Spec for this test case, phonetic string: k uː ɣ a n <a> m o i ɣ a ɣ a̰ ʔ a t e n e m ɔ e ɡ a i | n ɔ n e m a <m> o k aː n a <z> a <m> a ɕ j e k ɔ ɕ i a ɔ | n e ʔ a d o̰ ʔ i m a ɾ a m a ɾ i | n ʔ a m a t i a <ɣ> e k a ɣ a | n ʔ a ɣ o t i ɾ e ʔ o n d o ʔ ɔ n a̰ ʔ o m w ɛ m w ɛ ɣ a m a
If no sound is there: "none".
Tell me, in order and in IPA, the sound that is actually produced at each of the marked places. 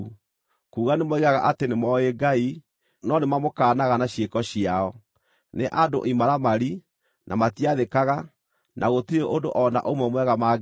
e, m, ɣ, n, ð

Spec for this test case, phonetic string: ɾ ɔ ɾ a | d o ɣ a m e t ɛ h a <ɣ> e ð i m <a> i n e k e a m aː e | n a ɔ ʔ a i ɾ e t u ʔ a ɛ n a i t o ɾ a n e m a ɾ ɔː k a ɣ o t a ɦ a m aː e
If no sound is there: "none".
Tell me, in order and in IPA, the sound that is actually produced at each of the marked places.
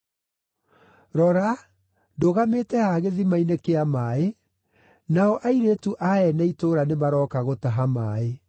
ɣ, a

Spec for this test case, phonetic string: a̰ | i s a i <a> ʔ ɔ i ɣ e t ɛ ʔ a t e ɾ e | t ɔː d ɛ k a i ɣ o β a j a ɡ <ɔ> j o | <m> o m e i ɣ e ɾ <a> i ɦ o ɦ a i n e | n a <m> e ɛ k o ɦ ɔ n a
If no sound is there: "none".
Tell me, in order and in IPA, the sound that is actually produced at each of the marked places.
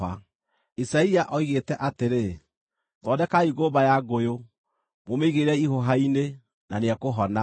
a, o, m, ɛ, n

